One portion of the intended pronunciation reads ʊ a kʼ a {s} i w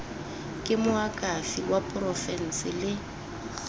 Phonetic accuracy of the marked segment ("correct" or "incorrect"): incorrect